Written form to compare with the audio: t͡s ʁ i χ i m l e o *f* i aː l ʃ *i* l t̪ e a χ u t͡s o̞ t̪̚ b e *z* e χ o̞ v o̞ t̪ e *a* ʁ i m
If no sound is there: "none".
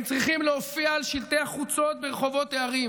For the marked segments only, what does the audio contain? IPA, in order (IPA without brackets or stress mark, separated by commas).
f, i, ʁ, a